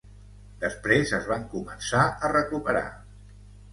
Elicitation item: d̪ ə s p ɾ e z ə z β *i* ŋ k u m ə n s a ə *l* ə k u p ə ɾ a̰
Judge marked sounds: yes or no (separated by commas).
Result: no, no